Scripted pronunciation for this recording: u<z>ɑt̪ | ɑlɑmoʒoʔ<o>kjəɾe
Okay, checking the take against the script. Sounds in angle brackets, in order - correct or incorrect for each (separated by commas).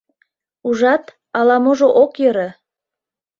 incorrect, correct